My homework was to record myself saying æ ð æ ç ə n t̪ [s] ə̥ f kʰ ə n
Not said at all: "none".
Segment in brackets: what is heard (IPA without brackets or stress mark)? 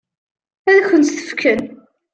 θ